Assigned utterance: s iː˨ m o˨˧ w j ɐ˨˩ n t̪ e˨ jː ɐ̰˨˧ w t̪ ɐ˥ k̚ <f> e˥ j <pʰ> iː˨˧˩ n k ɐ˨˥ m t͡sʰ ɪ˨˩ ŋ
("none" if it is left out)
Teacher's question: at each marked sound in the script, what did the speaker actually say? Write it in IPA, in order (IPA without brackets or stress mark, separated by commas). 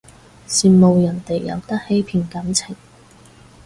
h, pʰ